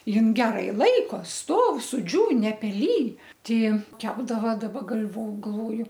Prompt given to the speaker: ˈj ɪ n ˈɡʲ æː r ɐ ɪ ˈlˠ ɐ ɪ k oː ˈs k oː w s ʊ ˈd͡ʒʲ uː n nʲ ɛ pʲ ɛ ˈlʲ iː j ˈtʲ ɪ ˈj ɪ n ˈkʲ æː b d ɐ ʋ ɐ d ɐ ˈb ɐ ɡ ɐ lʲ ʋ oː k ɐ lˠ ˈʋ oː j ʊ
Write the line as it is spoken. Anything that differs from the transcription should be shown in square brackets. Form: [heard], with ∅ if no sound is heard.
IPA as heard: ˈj ɪ n ˈɡʲ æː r ɐ ɪ ˈlˠ ɐ ɪ k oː ˈs [t] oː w s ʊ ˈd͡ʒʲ uː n nʲ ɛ pʲ ɛ ˈlʲ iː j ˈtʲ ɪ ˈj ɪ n ˈkʲ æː b d ɐ ʋ ɐ d ɐ ˈb ɐ ɡ ɐ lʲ ʋ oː [ɡ] ɐ lˠ ˈʋ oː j ʊ

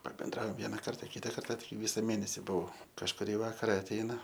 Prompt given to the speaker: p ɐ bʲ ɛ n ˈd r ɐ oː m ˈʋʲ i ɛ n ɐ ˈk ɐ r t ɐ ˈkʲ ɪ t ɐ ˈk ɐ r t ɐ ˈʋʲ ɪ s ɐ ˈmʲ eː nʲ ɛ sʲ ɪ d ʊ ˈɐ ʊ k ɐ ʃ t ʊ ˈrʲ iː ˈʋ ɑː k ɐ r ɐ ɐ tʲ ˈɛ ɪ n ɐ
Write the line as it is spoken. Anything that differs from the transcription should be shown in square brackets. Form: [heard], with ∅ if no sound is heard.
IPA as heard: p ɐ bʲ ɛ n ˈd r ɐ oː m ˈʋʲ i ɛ n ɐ ˈk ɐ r t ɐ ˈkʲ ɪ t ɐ ˈk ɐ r t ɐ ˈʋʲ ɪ s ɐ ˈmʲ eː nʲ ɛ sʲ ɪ [b] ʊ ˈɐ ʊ k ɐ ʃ [k] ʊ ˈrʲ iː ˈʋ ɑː k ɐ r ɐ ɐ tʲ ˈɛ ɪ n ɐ

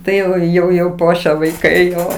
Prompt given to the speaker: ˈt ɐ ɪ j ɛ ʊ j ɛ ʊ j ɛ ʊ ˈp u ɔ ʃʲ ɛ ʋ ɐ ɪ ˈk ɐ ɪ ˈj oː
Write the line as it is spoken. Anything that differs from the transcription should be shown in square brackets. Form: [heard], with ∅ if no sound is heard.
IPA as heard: ˈt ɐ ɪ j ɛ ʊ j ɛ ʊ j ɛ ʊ ˈp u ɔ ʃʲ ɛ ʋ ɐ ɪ ˈk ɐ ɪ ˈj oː

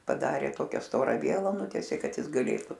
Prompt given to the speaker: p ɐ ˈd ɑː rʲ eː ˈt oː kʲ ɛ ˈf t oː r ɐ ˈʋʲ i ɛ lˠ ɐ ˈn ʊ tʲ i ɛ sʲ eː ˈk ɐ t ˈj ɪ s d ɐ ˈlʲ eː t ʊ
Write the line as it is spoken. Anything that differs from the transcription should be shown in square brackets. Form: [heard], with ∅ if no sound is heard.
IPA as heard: p ɐ ˈd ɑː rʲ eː ˈt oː kʲ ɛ [ˈs] t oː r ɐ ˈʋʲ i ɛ lˠ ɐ ˈn ʊ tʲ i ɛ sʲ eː ˈk ɐ t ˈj ɪ s [ɡ] ɐ ˈlʲ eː t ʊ

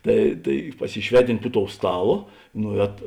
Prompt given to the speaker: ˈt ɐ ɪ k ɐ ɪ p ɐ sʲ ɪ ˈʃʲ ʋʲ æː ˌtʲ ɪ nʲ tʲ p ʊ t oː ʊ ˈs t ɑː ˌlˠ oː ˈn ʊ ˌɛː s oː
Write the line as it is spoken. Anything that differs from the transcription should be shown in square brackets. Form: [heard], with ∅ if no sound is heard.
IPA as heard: ˈt ɐ ɪ [t] ɐ ɪ p ɐ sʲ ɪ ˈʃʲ ʋʲ æː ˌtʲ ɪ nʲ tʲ p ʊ t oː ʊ ˈs t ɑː ˌlˠ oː ˈn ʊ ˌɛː [t] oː

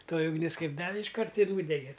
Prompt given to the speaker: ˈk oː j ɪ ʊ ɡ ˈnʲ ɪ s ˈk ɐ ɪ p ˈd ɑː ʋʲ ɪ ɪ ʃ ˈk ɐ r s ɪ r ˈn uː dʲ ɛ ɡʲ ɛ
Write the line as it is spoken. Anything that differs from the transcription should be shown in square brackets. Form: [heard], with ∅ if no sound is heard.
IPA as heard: [ˈt] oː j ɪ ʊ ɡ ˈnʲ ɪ s ˈk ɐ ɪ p ˈd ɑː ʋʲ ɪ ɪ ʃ ˈk ɐ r [t] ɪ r ˈn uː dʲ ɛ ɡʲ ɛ

